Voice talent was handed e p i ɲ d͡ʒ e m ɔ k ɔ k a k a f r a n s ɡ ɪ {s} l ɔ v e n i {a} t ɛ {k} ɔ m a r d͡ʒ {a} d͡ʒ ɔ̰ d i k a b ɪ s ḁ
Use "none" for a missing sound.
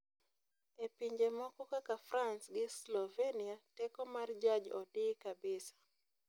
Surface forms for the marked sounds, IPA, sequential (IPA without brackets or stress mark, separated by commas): s, a, k, a